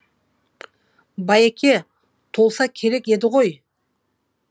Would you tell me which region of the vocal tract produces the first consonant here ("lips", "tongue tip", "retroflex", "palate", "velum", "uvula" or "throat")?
lips